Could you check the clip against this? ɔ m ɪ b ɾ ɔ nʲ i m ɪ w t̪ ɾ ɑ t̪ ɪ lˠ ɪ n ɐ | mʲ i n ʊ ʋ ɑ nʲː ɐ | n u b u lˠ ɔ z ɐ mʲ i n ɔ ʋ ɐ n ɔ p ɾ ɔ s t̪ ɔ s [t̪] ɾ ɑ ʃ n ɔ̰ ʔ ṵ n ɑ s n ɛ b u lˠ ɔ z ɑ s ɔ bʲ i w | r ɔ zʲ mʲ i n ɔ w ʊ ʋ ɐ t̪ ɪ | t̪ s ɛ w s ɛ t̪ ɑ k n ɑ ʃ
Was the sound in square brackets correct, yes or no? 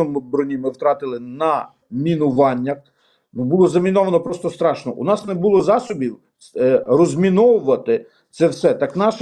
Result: yes